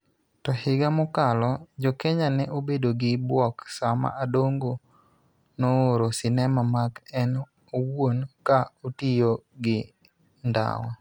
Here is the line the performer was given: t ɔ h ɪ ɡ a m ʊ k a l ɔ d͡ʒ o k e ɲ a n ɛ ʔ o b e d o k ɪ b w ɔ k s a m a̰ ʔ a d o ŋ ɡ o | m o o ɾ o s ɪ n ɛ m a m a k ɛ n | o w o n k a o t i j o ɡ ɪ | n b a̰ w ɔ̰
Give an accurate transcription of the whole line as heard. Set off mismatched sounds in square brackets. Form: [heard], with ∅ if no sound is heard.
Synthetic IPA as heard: t ɔ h ɪ ɡ a m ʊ k a l ɔ d͡ʒ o k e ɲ a n ɛ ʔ o b e d o [ɡ] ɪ b w ɔ k s a m a̰ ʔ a d o ŋ ɡ o | [n] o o ɾ o s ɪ n ɛ m a m a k ɛ n | o w o n k a o t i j o ɡ ɪ | n [d] a̰ w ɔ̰